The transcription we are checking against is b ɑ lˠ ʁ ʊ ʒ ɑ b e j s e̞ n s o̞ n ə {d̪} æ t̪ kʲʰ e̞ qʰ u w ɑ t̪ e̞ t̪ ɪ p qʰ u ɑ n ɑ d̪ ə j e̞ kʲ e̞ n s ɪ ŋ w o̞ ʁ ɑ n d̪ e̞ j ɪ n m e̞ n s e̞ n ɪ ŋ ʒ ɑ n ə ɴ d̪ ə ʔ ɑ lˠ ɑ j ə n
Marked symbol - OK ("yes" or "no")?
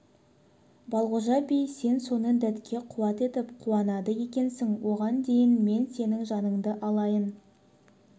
yes